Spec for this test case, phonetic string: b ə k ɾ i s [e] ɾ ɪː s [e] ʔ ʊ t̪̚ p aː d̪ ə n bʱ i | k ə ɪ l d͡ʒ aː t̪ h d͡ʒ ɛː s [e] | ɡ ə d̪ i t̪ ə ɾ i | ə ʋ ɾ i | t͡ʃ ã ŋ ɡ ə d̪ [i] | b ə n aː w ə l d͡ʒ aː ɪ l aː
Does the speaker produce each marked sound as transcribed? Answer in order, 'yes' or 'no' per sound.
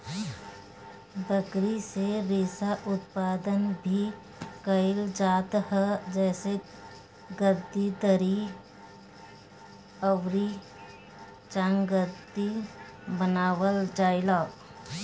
yes, no, yes, yes

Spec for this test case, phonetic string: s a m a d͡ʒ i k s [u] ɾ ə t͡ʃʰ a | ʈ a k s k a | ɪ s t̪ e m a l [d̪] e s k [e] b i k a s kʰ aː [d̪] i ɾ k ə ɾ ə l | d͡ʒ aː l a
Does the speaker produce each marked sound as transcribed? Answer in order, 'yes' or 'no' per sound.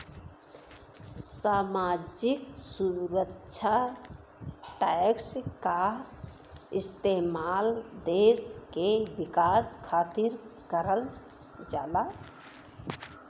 yes, yes, yes, no

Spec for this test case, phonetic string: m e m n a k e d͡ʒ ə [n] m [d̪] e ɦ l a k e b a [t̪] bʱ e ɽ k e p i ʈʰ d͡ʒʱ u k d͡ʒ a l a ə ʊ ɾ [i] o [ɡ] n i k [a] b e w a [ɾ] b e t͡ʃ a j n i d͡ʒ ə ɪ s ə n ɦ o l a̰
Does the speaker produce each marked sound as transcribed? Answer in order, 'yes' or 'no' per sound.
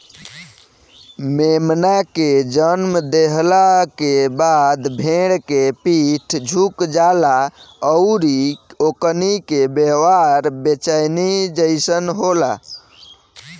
yes, yes, no, yes, no, no, yes

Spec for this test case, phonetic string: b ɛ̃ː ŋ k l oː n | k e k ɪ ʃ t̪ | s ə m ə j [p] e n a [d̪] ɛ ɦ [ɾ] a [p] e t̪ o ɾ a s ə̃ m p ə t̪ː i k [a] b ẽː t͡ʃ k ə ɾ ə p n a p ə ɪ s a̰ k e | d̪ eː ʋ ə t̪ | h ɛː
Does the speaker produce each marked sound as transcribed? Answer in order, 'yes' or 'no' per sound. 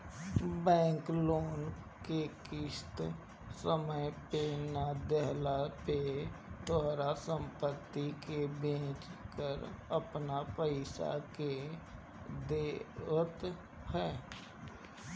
yes, yes, no, yes, no

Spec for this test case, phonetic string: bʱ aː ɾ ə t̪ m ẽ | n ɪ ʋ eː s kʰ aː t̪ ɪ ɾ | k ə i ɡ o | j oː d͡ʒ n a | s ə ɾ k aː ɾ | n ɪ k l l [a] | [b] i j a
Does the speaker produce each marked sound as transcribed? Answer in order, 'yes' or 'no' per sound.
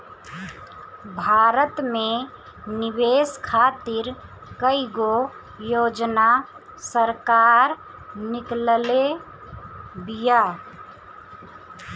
no, yes

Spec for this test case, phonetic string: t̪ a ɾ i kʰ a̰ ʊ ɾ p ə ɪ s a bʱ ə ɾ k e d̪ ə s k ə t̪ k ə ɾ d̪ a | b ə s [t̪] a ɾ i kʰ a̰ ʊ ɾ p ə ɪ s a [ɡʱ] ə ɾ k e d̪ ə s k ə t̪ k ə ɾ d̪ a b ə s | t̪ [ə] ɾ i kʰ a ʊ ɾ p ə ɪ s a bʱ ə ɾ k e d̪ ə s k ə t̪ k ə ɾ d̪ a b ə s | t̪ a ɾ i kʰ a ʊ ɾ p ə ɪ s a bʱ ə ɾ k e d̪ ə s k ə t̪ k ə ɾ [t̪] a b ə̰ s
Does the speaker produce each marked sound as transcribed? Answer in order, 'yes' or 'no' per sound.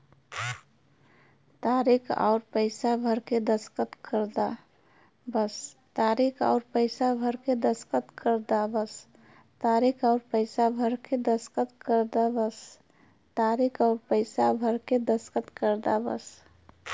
yes, no, no, no

